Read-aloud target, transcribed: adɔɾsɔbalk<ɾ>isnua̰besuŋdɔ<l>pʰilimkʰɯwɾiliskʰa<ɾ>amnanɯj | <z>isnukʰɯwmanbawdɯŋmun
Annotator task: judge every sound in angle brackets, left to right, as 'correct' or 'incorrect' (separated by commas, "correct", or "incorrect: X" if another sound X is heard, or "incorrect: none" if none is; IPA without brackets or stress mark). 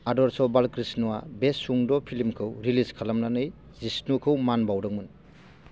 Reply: correct, incorrect: none, incorrect: l, correct